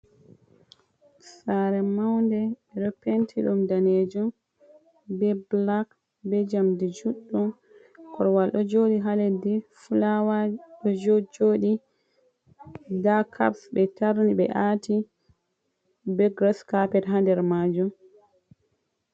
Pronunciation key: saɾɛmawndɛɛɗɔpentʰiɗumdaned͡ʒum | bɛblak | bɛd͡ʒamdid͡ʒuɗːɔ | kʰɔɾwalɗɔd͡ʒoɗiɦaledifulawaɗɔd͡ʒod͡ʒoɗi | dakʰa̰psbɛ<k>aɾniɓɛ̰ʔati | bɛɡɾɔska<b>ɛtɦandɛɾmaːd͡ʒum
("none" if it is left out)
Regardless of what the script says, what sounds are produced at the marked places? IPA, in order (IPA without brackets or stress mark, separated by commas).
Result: t, p